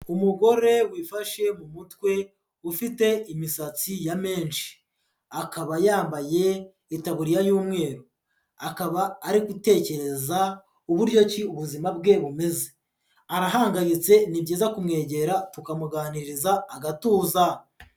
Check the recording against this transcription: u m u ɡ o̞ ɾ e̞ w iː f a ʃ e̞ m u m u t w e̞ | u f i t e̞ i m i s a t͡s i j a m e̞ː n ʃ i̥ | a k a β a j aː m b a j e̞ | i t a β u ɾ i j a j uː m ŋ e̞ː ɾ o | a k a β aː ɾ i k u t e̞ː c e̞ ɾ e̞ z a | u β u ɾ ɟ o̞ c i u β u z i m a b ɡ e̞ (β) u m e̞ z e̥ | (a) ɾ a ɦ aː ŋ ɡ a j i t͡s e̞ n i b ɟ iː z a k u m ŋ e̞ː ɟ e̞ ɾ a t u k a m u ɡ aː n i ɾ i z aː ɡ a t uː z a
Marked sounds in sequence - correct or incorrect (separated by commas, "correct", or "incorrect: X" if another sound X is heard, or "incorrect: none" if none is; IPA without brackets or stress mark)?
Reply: correct, correct